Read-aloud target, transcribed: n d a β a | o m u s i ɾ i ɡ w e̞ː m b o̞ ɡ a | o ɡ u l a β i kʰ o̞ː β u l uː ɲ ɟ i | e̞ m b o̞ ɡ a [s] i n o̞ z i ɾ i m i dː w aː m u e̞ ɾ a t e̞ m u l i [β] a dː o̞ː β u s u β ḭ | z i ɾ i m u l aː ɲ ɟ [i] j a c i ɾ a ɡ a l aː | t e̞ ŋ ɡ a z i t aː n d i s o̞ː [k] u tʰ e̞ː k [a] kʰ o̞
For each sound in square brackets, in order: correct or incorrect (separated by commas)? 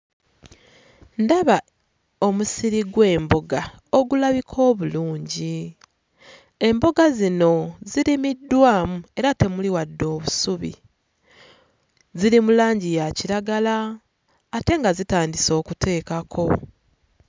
incorrect, incorrect, correct, correct, correct